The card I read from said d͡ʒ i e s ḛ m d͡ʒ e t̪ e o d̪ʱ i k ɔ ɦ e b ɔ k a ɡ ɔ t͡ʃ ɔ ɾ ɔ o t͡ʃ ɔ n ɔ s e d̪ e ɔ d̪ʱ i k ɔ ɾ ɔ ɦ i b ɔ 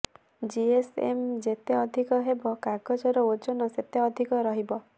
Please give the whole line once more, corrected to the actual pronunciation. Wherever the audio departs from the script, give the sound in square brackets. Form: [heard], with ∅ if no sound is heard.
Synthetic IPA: d͡ʒ i e s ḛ m d͡ʒ e t̪ e [ɔ] d̪ʱ i k ɔ ɦ e b ɔ k a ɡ ɔ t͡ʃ ɔ ɾ ɔ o t͡ʃ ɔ n ɔ s e [t̪] e ɔ d̪ʱ i k ɔ ɾ ɔ ɦ i b ɔ